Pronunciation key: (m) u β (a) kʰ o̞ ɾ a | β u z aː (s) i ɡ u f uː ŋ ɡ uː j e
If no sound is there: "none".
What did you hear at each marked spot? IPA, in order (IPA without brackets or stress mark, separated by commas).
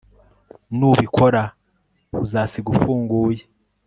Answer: n, i, s